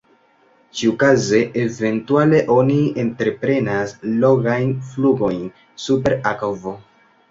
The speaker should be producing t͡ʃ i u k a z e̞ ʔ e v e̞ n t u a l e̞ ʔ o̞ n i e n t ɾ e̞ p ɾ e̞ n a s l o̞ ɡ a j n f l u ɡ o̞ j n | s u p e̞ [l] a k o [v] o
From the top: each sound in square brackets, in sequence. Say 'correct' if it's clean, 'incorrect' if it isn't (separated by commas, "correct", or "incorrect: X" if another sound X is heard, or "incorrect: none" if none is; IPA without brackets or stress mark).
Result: incorrect: ɾ, correct